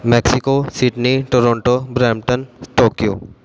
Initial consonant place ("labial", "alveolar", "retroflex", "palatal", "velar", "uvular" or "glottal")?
labial